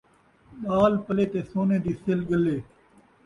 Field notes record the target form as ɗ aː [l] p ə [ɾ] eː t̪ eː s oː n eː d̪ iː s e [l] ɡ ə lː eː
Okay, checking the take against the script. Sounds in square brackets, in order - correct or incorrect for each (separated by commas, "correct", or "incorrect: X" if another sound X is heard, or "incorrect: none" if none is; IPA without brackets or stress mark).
correct, incorrect: l, correct